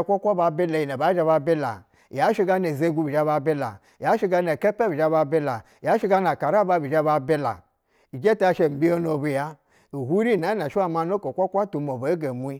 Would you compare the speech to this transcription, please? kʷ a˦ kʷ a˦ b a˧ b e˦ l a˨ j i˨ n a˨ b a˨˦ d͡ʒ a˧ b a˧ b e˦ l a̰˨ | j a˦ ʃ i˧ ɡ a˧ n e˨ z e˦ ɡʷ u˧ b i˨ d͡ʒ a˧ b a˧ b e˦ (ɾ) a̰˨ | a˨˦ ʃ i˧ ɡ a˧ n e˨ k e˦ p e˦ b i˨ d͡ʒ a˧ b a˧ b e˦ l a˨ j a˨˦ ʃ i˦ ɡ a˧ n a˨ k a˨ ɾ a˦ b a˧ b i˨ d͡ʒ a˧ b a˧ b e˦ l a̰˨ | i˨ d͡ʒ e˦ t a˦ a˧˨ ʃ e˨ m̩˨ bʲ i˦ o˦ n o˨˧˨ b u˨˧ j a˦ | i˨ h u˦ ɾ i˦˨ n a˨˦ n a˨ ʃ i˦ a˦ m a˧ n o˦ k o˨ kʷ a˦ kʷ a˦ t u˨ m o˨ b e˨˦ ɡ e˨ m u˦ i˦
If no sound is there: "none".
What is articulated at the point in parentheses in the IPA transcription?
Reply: l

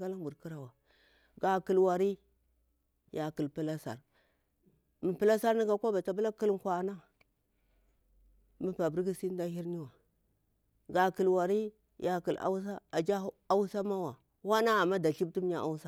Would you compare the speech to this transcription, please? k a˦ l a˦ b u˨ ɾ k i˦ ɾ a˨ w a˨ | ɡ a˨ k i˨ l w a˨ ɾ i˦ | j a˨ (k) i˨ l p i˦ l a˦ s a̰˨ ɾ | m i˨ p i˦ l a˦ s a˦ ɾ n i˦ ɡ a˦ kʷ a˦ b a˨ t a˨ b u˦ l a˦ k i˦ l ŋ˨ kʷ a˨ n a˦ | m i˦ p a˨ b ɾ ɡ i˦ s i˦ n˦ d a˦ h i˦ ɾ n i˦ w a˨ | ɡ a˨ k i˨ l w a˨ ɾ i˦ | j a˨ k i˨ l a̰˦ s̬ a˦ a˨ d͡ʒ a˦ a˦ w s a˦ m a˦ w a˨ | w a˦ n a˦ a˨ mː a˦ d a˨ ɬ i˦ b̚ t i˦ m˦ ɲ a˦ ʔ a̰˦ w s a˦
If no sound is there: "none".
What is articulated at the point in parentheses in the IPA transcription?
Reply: k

